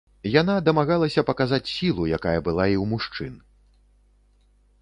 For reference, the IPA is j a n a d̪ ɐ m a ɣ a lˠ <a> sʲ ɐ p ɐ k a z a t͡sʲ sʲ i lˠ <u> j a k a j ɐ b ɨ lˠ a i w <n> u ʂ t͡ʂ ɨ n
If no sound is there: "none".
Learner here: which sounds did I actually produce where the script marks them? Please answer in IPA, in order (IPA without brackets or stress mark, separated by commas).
ɐ, u, m